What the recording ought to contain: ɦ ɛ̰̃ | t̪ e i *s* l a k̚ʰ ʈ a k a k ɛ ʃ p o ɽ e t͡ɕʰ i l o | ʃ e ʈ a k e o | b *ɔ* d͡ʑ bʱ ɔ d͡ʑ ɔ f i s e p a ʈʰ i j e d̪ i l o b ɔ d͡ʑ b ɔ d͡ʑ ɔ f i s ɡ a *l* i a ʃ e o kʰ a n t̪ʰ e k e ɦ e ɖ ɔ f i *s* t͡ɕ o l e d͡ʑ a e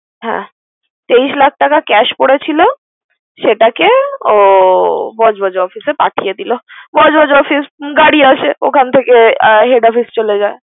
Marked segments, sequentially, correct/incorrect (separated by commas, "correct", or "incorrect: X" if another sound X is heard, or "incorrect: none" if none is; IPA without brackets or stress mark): incorrect: ʃ, correct, incorrect: ɽ, correct